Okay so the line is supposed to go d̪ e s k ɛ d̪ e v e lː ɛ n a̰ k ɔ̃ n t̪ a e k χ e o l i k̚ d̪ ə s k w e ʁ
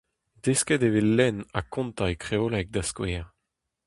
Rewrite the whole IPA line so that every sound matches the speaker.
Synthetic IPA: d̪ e s k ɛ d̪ e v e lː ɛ n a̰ k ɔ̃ n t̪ a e k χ e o l ɛ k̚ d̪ a s k w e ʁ